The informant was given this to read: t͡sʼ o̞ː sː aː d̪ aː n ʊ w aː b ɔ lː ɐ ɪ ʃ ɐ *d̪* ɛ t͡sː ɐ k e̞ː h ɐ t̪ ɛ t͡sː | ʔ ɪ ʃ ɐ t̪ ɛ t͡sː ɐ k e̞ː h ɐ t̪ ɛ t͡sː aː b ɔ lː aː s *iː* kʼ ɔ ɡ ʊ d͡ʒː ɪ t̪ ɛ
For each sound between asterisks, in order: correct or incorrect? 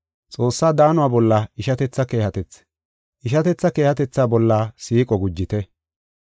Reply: incorrect, correct

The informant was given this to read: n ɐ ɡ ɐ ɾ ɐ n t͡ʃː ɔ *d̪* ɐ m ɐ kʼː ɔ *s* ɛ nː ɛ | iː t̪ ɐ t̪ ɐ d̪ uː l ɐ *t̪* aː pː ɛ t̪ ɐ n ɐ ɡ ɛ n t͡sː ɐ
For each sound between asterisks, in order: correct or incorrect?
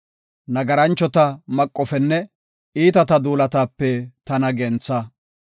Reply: incorrect, incorrect, correct

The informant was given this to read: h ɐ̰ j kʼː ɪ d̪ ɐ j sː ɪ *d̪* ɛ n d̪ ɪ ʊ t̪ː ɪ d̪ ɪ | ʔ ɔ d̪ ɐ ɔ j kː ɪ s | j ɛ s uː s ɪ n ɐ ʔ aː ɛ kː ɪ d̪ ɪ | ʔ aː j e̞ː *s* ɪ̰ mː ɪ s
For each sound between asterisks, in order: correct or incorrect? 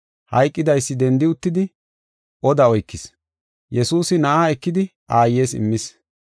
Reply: correct, correct

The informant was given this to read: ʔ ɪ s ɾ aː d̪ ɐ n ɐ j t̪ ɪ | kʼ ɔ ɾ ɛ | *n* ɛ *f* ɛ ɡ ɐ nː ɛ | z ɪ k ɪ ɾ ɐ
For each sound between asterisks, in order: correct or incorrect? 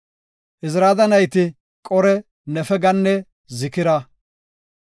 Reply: correct, correct

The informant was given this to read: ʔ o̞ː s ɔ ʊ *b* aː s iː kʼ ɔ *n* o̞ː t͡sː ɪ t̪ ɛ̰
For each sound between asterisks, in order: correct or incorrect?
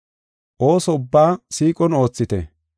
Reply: incorrect, correct

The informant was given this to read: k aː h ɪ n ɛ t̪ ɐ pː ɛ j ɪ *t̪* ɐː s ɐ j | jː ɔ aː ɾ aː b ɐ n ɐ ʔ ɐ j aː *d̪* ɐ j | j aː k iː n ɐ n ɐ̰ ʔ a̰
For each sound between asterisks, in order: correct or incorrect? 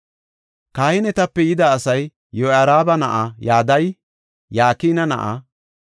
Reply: incorrect, correct

